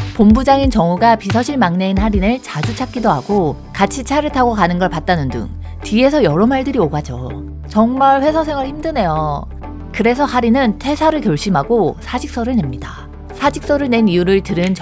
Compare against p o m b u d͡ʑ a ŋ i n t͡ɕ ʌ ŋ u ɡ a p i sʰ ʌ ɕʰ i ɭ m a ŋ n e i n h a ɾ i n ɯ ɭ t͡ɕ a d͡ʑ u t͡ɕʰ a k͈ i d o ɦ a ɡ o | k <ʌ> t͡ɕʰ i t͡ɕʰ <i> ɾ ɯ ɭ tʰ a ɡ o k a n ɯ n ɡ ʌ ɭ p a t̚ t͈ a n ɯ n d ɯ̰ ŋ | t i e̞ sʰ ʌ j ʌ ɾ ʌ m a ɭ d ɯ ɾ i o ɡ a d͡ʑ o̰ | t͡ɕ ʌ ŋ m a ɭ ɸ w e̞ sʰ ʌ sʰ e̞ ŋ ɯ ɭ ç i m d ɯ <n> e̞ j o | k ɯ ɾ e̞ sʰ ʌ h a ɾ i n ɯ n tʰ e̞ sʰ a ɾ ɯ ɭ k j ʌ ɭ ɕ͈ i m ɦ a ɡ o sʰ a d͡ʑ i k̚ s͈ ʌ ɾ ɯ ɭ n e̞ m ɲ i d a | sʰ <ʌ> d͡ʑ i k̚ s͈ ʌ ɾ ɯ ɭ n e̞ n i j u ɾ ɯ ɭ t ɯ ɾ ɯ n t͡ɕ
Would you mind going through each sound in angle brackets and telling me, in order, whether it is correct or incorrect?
incorrect: a, incorrect: a, correct, incorrect: a

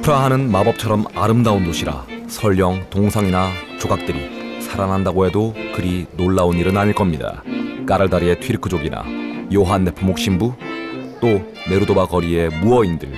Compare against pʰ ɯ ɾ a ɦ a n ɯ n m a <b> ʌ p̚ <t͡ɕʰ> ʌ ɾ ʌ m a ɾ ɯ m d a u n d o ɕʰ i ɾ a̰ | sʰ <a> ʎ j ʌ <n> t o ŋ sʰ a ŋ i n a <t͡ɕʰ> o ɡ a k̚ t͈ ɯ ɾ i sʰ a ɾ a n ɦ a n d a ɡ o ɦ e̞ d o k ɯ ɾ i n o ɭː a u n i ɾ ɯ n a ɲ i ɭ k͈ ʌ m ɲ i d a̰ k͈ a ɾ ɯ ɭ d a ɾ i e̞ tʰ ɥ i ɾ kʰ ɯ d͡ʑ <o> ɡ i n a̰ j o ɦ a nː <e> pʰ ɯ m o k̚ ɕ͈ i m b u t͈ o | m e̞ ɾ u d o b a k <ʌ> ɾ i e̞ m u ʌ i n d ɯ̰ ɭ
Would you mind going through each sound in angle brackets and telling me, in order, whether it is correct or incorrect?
correct, correct, incorrect: ʌ, incorrect: ŋ, incorrect: t͡ɕ, correct, correct, correct

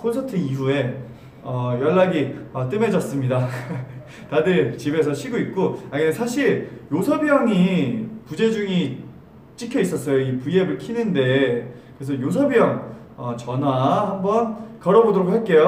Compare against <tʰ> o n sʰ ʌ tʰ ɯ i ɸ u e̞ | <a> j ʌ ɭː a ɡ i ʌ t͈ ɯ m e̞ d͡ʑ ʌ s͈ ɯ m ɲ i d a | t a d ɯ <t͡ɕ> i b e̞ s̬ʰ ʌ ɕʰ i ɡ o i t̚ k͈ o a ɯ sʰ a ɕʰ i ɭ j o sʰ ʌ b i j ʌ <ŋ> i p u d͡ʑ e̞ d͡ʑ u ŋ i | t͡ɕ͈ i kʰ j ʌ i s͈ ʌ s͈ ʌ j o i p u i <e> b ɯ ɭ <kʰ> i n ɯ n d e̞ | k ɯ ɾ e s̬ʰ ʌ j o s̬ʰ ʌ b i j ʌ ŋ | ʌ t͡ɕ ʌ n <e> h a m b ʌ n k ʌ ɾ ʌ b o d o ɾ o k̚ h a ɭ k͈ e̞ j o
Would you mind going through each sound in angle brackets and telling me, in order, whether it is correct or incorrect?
incorrect: kʰ, incorrect: ʌ, correct, correct, correct, correct, incorrect: a

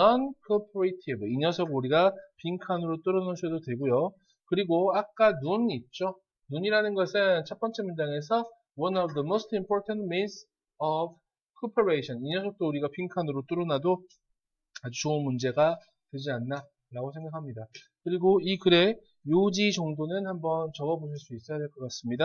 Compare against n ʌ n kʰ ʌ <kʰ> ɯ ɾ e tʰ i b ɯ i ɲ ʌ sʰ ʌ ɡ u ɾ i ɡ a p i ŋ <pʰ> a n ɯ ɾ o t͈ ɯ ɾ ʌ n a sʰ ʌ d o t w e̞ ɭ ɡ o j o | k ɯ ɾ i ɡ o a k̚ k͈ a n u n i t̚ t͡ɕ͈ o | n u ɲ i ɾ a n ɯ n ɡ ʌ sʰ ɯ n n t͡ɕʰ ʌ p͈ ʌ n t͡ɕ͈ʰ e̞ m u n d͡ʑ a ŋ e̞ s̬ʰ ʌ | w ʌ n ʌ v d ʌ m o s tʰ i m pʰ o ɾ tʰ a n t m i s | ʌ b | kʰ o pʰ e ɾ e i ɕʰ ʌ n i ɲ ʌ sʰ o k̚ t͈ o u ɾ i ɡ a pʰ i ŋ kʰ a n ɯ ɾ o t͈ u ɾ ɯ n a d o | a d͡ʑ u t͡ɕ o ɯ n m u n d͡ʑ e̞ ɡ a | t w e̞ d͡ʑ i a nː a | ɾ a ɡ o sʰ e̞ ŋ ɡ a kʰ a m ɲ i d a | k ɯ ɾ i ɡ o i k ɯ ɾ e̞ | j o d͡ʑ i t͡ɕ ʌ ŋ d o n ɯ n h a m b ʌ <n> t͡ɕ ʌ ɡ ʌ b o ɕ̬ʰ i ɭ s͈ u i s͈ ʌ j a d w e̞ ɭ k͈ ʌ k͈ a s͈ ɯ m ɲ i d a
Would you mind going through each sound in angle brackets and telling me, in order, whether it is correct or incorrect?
incorrect: pʰ, incorrect: kʰ, correct

